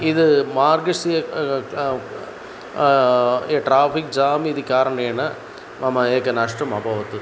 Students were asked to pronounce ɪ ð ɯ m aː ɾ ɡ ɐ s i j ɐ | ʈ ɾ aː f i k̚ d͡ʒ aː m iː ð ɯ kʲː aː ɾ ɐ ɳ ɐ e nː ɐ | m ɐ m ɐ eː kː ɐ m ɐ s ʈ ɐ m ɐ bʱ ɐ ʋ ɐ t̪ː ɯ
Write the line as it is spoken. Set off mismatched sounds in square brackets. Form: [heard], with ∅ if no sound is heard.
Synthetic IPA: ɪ ð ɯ m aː ɾ ɡ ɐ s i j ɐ | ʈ ɾ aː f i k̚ d͡ʒ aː m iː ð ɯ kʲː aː ɾ ɐ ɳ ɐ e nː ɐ | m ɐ m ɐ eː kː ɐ [n] ɐ [ʂ] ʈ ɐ m ɐ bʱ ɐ ʋ ɐ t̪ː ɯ